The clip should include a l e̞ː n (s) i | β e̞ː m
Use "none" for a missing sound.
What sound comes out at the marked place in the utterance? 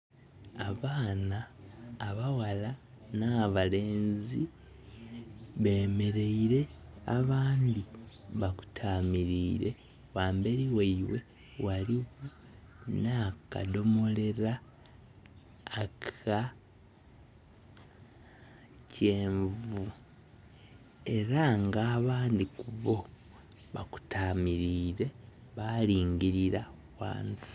z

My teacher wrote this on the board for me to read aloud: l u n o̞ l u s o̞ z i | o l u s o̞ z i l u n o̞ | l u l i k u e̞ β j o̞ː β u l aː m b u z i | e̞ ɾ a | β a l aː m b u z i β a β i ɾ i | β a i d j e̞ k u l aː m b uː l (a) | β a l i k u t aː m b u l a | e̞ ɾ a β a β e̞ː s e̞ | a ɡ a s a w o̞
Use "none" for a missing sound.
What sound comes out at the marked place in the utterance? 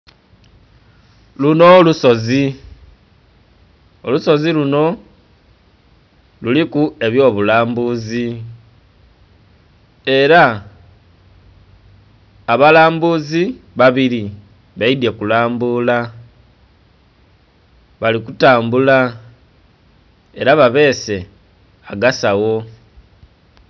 a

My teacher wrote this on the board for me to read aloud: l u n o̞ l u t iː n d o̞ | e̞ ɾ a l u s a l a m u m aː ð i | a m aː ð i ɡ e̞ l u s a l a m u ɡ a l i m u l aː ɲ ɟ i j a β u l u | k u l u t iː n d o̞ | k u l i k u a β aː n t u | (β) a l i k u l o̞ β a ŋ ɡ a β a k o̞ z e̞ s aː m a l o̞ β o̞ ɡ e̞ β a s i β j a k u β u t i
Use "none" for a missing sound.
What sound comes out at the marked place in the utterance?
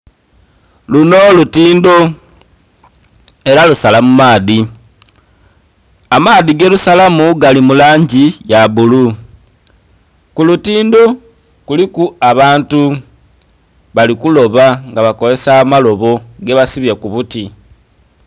β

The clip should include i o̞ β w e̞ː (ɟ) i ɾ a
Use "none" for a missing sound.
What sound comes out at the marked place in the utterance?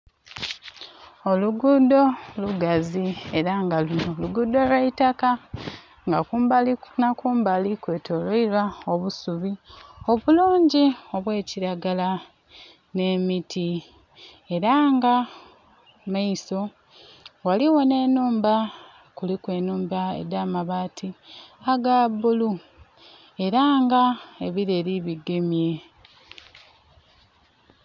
c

